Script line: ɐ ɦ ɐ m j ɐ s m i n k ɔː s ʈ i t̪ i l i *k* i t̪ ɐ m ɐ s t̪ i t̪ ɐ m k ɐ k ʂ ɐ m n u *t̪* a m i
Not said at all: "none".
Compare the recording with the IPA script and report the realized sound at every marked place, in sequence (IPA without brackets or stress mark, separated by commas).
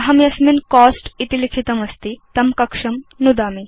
kʰ, d̪